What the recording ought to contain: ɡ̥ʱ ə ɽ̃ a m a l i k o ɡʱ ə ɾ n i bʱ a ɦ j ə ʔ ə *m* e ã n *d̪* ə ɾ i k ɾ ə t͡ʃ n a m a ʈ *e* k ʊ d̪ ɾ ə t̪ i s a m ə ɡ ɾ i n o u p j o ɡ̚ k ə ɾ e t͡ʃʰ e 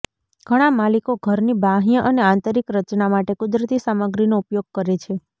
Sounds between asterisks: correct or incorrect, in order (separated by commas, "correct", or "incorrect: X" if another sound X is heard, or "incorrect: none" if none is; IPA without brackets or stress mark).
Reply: incorrect: n, incorrect: t̪, correct